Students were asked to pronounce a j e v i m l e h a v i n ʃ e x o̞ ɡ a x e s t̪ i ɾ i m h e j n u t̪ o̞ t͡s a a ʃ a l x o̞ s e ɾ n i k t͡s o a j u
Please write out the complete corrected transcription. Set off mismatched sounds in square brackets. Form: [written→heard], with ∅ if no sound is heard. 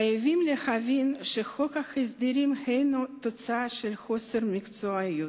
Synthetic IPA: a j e v i m l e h a v i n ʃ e x o̞ [ɡ→k] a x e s [t̪→d̪] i ɾ i m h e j n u t̪ o̞ t͡s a a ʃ [a→e] l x o̞ s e ɾ [n→m] i k t͡s o a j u

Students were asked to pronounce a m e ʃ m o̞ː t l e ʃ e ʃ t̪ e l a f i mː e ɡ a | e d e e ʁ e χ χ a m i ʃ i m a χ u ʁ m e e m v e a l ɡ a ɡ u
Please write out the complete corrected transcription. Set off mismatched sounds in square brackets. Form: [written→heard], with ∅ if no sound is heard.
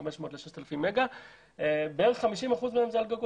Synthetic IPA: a m e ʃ m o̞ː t l e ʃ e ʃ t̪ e l a f i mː e ɡ a | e [d→b] e e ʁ e χ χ a m i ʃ i m a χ u [ʁ→z] m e e m [v→z] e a l ɡ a ɡ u

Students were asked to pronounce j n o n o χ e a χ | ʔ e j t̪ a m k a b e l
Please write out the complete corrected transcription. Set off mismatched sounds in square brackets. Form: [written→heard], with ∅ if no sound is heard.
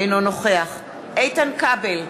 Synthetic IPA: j n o n o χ e a χ | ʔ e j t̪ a [m→n] k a b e l

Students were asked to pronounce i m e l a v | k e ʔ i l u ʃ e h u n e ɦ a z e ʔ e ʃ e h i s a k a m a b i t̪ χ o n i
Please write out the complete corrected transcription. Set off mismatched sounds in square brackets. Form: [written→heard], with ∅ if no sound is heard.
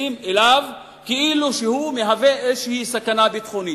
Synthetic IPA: i m e l a v | k e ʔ i l u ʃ e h u [n→m] e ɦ a [z→v] e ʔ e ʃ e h i s a k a [m→n] a b i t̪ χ o n i

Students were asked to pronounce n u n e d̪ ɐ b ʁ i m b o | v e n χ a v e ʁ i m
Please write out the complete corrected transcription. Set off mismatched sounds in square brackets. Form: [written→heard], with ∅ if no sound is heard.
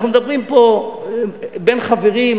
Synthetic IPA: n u [n→m] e d̪ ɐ b ʁ i m [b→p] o | [v→b] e n χ a v e ʁ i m

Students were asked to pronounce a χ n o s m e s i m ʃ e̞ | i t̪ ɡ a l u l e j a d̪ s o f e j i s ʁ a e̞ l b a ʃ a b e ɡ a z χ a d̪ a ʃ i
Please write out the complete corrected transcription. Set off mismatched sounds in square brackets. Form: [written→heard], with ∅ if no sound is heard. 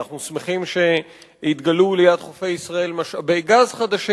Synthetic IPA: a χ n [o→u] s m e [s→χ] i m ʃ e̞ | i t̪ ɡ a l u l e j a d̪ [s→χ] o f e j i s ʁ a e̞ l [b→m] a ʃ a b e ɡ a z χ a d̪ a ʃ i

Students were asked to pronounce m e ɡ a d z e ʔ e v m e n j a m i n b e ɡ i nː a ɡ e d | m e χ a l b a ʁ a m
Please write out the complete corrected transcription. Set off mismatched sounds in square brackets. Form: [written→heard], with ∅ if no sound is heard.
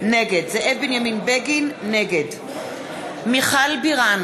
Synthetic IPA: [m→n] e ɡ [a→e] d z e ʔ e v [m→b] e n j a m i n b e ɡ i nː [a→e] ɡ e d | m [e→i] χ a l b [a→i] ʁ a [m→n]

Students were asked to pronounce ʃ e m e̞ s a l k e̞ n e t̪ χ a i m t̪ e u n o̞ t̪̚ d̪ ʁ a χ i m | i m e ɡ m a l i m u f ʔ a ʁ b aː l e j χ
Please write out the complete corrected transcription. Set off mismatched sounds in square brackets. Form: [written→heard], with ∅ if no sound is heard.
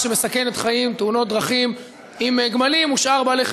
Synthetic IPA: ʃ e m e̞ s a [l→∅] k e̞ n e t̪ χ a i m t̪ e u n o̞ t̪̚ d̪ ʁ a χ i m | i m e ɡ m a l i m u [f→ʃ] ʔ a ʁ b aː l e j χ

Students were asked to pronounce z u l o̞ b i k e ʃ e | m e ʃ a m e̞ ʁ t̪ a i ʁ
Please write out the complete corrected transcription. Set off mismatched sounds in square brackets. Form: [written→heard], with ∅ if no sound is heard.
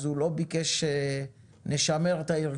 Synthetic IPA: z u l o̞ b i k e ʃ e | [m→n] e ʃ a m e̞ ʁ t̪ a i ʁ

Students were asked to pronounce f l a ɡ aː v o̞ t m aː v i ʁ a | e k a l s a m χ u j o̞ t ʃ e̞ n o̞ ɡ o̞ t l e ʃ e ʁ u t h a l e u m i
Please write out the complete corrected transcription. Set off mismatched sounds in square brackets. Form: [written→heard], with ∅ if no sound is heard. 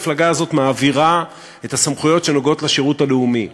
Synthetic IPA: f l a ɡ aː [v→z] o̞ t m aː v i ʁ a | e [k→t] a [l→∅] s a m χ u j o̞ t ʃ e̞ n o̞ ɡ o̞ t l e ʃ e ʁ u t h a l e u m i

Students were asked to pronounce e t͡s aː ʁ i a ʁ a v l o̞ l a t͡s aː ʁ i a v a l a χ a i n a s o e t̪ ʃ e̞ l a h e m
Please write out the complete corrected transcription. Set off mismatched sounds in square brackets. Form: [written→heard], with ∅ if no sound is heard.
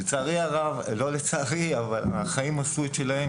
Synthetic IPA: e t͡s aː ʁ i a ʁ a v l o̞ l [a→e] t͡s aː ʁ i a v a l a χ a i [n→m] a s [o→u] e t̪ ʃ e̞ l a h e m

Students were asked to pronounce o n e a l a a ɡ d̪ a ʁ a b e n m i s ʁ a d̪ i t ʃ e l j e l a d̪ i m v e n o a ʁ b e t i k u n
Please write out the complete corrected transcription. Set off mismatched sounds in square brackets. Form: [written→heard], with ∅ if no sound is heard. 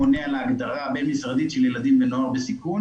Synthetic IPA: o n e a l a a ɡ d̪ a ʁ a b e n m i s ʁ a d̪ i t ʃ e l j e l a d̪ i m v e n o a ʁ b e [t→s] i k u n

